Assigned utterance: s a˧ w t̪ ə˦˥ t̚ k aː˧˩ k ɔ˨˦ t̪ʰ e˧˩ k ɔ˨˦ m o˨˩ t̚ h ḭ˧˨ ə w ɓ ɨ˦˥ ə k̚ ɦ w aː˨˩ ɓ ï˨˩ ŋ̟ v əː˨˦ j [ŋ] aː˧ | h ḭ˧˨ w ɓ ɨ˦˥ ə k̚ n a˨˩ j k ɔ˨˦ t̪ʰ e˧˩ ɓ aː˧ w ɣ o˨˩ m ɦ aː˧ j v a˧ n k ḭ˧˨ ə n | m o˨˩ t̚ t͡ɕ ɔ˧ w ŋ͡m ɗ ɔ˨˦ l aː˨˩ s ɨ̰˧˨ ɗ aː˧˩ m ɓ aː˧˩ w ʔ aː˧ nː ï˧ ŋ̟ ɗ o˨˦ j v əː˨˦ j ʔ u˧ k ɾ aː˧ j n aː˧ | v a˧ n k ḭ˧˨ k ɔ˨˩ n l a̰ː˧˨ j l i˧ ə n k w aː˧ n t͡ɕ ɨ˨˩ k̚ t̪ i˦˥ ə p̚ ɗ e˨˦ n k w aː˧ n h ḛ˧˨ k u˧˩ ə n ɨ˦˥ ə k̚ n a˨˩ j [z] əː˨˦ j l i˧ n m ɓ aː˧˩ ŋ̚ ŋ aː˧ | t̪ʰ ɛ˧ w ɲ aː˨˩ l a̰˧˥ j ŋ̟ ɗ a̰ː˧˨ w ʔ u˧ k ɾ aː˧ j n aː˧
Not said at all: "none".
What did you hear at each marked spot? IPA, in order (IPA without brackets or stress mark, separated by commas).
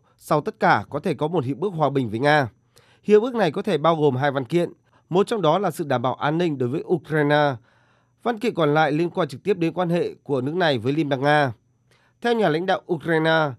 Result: ŋ, v